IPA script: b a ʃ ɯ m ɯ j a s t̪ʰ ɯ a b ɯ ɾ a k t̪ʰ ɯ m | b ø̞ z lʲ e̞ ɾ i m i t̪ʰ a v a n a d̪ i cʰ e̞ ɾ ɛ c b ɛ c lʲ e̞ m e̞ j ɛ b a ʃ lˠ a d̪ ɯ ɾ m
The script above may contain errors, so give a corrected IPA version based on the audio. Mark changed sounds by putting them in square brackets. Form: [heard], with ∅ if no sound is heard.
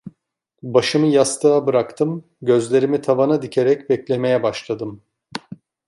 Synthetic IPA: b a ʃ ɯ m ɯ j a s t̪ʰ ɯ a b ɯ ɾ a k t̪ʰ ɯ m | [ɟ] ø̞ z lʲ e̞ ɾ i m i t̪ʰ a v a n a d̪ i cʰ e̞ ɾ ɛ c b ɛ c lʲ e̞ m e̞ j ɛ b a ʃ lˠ a d̪ ɯ [∅] m